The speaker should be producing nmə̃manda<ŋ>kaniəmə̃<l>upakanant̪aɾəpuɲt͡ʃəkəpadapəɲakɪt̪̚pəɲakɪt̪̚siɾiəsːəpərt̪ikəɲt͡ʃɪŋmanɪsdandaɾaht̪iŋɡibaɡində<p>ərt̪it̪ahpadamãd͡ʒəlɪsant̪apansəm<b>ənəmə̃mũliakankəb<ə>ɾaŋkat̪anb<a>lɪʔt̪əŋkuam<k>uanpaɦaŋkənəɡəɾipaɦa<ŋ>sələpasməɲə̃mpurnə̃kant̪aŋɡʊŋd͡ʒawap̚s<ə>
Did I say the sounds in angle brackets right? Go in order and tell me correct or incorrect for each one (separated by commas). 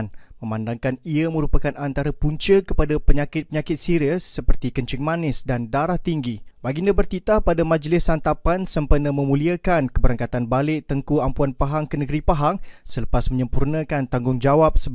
correct, incorrect, incorrect, incorrect, correct, correct, incorrect, correct, correct